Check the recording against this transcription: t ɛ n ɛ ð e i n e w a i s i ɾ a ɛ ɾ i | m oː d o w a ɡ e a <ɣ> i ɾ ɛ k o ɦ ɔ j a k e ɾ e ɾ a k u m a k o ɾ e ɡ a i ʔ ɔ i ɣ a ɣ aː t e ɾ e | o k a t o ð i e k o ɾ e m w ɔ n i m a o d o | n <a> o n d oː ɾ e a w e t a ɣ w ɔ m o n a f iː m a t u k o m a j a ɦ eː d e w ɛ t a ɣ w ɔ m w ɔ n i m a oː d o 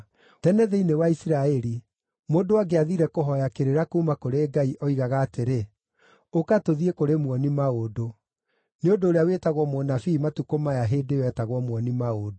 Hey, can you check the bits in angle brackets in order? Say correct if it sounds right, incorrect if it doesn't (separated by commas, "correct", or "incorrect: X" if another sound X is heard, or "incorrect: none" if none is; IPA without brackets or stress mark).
incorrect: ð, incorrect: e